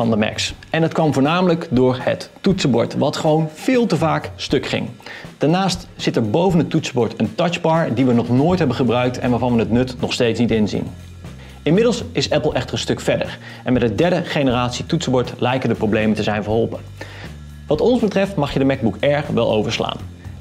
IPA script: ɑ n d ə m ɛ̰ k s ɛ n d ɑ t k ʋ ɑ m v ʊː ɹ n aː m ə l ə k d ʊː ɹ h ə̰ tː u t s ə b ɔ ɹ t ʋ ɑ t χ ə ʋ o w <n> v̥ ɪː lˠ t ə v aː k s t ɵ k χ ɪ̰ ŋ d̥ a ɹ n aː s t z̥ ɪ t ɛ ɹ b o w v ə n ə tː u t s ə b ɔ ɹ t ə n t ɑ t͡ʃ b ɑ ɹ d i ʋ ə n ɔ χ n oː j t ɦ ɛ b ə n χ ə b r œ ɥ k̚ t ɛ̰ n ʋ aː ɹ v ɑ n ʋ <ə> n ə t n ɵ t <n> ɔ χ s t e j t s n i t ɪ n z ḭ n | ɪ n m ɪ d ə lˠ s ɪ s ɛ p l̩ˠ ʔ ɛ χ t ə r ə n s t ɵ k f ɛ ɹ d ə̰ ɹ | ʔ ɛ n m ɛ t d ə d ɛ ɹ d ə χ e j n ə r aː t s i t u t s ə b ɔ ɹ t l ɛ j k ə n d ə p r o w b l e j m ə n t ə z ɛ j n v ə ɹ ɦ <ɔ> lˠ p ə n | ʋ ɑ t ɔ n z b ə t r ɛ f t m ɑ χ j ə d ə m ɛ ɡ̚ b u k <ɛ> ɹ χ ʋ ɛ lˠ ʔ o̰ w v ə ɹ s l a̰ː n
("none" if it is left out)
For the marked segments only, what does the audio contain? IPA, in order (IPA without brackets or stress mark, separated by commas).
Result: n, ə, n, ɔ, ɛ